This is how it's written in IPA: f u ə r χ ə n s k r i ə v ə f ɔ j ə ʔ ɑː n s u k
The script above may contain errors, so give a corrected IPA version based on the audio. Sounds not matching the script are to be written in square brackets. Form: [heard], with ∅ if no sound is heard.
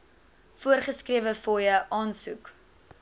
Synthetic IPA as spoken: f u ə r χ ə [∅] s k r i ə v ə f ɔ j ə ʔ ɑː n s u k